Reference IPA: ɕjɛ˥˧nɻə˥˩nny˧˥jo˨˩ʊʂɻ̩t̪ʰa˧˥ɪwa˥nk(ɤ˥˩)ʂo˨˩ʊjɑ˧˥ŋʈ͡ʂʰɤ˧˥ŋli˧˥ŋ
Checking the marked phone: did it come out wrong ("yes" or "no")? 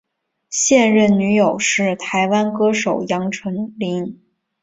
yes